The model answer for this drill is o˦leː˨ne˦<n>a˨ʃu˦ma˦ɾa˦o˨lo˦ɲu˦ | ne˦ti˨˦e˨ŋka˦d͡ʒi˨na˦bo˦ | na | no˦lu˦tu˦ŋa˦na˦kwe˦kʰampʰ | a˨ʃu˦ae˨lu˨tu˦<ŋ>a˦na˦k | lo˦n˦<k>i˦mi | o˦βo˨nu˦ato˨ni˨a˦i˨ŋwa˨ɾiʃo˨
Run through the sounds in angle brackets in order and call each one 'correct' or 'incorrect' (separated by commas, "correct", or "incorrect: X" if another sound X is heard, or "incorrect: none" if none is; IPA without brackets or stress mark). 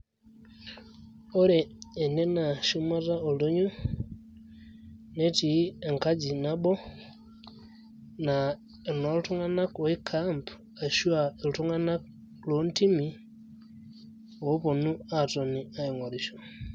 correct, correct, incorrect: t